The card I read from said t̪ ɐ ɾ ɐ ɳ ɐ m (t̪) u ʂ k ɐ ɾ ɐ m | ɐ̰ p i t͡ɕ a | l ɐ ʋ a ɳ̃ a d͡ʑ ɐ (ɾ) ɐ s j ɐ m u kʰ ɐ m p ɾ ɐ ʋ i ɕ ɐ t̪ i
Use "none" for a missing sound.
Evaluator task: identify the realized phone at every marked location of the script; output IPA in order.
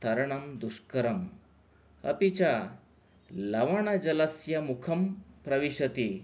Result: d̪, l

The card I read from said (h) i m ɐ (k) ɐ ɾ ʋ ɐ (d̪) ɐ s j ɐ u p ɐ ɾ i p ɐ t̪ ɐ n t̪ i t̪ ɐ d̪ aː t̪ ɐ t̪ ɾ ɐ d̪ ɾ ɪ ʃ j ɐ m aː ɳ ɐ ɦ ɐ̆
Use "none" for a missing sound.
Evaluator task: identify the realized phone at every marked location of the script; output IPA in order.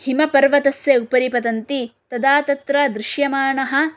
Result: h, p, t̪

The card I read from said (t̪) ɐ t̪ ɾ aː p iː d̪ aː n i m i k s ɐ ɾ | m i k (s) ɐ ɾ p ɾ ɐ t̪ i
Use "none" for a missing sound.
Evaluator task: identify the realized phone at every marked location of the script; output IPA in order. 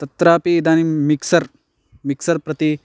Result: t̪, s

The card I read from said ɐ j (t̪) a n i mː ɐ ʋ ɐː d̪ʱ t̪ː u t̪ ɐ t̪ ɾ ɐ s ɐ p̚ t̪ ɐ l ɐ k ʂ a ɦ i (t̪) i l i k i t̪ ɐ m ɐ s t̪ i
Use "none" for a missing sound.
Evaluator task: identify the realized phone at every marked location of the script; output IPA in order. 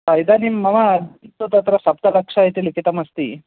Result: d̪, t̪

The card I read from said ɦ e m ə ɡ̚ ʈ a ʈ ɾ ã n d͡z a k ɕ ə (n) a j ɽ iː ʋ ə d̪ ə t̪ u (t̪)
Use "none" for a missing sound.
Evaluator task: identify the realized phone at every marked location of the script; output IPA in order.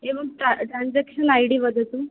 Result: n, none

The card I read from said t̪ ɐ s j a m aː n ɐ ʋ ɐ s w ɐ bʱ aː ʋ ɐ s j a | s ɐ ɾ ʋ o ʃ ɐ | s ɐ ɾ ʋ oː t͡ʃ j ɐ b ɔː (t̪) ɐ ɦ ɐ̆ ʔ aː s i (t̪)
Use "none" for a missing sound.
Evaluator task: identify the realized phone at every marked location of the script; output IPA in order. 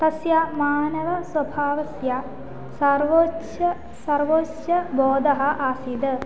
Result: d̪, d̪

